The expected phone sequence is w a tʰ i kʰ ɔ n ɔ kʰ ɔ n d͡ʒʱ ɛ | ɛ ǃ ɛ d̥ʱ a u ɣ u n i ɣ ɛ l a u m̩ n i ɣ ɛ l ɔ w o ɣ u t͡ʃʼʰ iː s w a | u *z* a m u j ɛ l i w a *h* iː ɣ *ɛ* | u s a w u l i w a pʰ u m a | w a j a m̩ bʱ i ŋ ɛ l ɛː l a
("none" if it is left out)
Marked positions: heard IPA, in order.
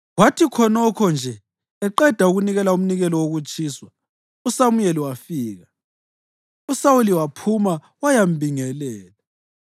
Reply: s, f, a

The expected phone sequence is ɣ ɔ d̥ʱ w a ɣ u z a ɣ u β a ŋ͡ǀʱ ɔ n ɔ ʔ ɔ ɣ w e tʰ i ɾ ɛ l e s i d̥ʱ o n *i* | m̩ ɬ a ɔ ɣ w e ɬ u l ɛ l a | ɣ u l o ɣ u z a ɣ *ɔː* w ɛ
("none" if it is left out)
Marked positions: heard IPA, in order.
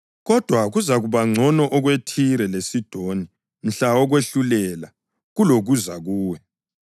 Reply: i, uː

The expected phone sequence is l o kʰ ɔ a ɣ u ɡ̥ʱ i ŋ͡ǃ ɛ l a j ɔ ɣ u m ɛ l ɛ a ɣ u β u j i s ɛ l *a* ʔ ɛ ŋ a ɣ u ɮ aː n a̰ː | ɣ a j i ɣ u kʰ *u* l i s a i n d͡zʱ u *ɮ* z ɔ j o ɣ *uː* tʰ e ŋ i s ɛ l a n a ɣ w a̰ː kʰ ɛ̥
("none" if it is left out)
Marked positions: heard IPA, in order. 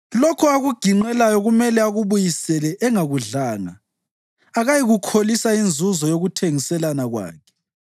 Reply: ɛ, o, none, u

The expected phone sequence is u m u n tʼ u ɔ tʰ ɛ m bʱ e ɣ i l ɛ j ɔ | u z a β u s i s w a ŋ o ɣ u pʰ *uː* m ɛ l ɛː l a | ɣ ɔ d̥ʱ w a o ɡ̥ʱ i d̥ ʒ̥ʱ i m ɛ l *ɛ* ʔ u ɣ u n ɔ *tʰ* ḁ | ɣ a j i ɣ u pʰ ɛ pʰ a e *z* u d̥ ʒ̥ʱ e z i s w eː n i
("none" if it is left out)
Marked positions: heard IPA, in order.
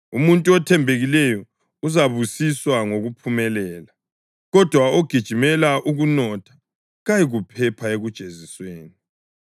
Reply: u, a, tʰ, ɣ

